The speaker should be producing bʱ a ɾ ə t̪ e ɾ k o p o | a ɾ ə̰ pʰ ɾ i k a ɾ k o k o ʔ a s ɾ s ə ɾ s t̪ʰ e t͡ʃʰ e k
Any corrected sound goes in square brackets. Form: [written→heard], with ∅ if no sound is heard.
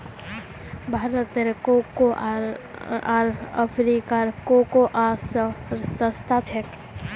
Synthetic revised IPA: bʱ a ɾ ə t̪ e ɾ k o [p→k] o | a ɾ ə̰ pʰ ɾ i k a ɾ k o k o ʔ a s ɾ s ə [ɾ→∅] s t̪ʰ [e→a] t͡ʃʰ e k